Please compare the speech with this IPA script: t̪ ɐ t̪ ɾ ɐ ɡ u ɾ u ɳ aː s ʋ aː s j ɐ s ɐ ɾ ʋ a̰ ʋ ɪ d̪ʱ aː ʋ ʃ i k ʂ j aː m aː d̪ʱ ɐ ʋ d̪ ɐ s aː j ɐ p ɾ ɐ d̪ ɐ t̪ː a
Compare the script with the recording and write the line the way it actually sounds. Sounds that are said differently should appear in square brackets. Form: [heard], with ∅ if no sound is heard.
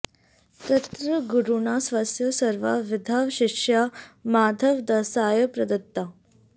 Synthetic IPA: t̪ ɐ t̪ ɾ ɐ ɡ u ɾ u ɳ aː s ʋ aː s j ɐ s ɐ ɾ ʋ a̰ ʋ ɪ d̪ʱ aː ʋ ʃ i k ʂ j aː m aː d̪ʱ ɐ ʋ d̪ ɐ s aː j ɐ p ɾ ɐ d̪ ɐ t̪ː a